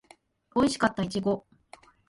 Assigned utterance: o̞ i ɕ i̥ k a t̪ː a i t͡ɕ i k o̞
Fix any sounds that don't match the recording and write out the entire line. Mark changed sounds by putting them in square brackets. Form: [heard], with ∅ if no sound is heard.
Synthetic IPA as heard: o̞ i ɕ i̥ k a t̪ː a i t͡ɕ i [ɡ] o̞